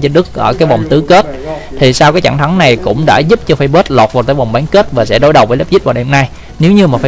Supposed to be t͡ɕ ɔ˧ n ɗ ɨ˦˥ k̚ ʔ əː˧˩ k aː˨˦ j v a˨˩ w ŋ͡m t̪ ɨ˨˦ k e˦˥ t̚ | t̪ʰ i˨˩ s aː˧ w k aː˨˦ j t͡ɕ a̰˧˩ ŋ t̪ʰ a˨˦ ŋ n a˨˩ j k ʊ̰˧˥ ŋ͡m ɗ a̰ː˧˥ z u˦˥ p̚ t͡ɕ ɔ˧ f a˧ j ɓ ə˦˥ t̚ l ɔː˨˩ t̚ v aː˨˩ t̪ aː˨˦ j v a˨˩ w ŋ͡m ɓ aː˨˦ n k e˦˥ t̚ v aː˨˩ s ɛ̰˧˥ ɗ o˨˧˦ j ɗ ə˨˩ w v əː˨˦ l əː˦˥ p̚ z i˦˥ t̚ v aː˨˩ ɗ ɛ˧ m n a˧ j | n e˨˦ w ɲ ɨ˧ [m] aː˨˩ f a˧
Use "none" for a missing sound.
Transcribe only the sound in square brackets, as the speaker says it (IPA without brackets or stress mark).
m